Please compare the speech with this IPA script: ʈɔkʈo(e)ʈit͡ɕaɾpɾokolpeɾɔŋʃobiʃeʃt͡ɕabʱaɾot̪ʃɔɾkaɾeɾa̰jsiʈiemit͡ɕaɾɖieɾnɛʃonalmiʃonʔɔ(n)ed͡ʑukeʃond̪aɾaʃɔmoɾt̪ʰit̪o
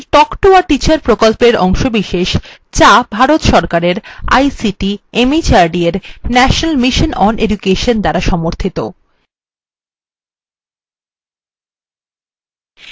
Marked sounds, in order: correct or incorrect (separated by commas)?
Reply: incorrect, correct